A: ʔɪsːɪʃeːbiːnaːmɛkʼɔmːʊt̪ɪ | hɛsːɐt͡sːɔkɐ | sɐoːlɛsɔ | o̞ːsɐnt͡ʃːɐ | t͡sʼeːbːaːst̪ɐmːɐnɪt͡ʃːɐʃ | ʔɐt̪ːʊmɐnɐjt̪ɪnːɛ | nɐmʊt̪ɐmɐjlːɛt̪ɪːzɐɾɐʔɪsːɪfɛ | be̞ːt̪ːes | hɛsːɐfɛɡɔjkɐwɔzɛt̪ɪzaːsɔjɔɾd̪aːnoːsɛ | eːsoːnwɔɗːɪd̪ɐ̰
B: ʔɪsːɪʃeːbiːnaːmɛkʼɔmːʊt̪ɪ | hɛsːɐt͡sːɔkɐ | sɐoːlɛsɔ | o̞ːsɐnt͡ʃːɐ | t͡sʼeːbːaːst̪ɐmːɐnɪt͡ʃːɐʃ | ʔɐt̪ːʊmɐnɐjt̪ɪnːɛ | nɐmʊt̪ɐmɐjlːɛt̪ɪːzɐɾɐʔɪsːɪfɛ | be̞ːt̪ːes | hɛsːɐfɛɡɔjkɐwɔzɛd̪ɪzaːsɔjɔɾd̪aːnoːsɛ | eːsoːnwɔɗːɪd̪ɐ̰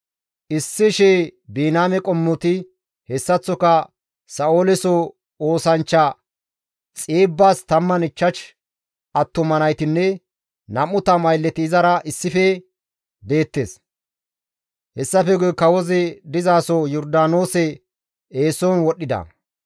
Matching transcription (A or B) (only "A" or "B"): B